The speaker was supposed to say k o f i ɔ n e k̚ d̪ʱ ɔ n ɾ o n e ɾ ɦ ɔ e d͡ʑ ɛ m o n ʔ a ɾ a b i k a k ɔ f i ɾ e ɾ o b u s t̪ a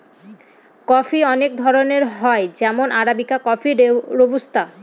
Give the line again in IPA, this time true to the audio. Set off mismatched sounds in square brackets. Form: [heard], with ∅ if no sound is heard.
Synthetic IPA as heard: k [ɔ] f i ɔ n e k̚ d̪ʱ ɔ [∅] ɾ o n e ɾ ɦ ɔ e d͡ʑ ɛ m o n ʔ a ɾ a b i k a k ɔ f i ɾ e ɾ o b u s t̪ a